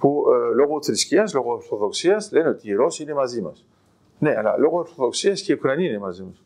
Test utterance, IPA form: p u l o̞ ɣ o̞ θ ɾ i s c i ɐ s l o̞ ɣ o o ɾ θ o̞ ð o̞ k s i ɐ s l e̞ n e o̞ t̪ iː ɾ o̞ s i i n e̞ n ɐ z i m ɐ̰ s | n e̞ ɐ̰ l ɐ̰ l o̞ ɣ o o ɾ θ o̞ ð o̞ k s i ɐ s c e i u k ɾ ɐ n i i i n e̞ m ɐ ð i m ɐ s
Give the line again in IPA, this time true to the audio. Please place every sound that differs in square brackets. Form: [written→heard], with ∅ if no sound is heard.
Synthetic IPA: p u l o̞ ɣ o̞ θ ɾ i s c i ɐ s l o̞ ɣ o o ɾ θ o̞ ð o̞ k s i ɐ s l e̞ n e o̞ t̪ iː ɾ o̞ s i i n e̞ [n→m] ɐ z i m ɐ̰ s | n e̞ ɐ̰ l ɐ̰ l o̞ ɣ o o ɾ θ o̞ ð o̞ k s i ɐ s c e i u k ɾ ɐ n i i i n e̞ m ɐ [ð→z] i m ɐ s